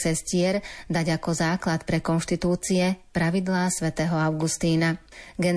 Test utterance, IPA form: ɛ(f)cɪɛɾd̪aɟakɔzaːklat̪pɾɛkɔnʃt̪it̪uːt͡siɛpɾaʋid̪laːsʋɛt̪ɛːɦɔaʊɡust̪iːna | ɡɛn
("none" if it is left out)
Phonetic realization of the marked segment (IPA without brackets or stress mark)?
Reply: s